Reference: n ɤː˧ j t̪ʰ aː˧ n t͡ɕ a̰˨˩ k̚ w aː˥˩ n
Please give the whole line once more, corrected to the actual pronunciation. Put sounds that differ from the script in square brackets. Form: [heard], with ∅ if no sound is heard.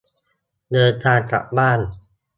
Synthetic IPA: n ɤː˧ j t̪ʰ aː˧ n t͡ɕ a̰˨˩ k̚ [b] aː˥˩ n